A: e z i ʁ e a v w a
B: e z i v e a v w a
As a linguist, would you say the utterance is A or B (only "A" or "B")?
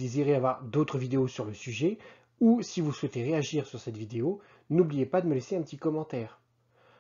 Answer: A